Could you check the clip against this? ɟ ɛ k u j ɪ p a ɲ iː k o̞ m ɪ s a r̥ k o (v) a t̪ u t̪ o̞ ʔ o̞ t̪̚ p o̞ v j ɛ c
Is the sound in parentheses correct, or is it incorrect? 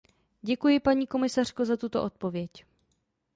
incorrect